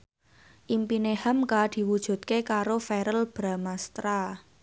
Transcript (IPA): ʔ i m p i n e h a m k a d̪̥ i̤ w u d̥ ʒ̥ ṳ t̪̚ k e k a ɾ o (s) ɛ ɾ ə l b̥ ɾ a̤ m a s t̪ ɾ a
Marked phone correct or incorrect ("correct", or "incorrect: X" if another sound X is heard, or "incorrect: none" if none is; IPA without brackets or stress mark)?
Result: incorrect: f